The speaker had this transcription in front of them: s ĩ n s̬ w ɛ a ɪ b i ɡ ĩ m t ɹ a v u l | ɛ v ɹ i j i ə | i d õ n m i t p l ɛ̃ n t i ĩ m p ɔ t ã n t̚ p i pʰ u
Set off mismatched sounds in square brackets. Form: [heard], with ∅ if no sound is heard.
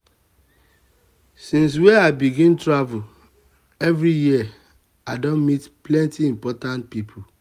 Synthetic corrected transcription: s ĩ n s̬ w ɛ a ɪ b i ɡ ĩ [n] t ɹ a v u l | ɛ v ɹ i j i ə | [a] d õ n m i t p l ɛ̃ n t i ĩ m p ɔ t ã n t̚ p i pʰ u

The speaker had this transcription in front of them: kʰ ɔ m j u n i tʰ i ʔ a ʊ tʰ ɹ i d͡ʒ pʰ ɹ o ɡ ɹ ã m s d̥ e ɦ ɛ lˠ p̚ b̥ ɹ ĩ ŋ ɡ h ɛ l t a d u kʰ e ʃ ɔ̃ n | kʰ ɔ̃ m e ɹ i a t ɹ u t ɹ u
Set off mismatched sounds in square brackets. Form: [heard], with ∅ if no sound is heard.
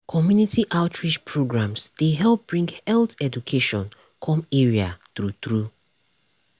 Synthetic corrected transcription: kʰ ɔ m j u n i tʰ i ʔ a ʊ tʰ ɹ i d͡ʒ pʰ ɹ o ɡ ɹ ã m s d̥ e ɦ ɛ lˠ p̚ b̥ ɹ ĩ ŋ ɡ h ɛ l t [ɛ] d u kʰ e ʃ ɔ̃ n | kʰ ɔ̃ m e ɹ i a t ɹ u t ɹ u

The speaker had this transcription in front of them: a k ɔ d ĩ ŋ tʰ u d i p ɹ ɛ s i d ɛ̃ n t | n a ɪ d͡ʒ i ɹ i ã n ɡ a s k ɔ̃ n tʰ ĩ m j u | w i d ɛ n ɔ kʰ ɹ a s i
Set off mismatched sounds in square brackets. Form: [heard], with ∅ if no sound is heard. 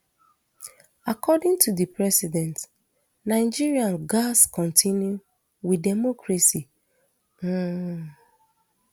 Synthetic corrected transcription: a k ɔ d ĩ ŋ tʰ u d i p ɹ ɛ s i d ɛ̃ n t | n a ɪ d͡ʒ i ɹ i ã n ɡ a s k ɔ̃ n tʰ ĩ [n] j u | w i d ɛ [m] ɔ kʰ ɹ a s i

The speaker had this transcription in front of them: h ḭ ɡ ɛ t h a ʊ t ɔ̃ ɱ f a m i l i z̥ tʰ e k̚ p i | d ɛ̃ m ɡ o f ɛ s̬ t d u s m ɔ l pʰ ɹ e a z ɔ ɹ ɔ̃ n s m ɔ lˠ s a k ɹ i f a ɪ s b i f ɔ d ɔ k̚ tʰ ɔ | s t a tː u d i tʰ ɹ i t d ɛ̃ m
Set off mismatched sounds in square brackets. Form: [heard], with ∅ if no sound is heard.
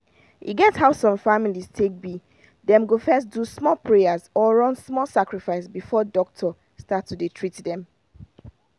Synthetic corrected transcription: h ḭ ɡ ɛ t h a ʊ [s] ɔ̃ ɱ f a m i l i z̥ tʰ e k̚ [b] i | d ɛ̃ m ɡ o f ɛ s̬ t d u s m ɔ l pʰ ɹ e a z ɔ ɹ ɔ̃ n s m ɔ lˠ s a k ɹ i f a ɪ s b i f ɔ d ɔ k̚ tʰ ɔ | s t a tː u d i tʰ ɹ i t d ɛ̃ m

